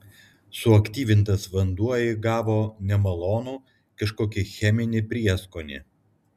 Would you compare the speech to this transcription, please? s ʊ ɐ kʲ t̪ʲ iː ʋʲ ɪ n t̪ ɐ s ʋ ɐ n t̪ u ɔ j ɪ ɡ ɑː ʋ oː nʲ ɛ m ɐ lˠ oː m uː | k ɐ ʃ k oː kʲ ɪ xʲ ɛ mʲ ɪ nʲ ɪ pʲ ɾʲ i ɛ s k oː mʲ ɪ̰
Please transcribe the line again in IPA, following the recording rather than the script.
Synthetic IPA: s ʊ ɐ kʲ t̪ʲ iː ʋʲ ɪ n t̪ ɐ s ʋ ɐ n d̪ u ɔ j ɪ ɡ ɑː ʋ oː nʲ ɛ m ɐ lˠ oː n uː | k ɐ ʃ k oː kʲ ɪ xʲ ɛ mʲ ɪ nʲ ɪ pʲ ɾʲ i ɛ s k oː nʲ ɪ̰